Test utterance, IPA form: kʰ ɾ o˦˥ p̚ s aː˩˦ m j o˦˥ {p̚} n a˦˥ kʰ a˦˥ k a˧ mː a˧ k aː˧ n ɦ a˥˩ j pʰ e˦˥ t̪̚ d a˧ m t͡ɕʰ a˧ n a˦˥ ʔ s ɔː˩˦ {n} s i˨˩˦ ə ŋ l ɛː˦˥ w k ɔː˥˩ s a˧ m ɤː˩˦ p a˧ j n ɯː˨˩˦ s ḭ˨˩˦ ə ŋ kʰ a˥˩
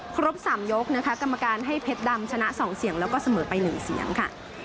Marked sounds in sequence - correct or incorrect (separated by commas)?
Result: incorrect, incorrect